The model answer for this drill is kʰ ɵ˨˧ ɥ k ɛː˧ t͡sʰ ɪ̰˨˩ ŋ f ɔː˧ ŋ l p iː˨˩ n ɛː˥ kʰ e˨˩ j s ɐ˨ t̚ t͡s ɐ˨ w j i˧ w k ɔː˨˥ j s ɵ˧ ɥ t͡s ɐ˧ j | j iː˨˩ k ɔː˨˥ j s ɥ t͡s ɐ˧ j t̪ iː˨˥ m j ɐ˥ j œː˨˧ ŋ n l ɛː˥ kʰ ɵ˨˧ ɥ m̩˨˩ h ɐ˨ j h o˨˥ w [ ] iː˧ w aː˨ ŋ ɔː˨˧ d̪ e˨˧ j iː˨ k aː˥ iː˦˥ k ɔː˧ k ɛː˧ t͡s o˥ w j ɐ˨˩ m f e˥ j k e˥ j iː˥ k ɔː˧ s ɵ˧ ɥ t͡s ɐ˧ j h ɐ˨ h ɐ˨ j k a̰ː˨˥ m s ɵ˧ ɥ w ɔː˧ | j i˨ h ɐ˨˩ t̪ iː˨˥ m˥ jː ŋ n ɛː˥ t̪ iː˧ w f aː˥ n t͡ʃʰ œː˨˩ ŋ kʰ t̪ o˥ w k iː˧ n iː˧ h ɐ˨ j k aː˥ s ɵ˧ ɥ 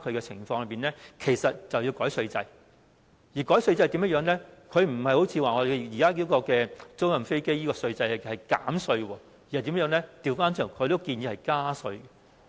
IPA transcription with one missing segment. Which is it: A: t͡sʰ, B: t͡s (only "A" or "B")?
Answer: A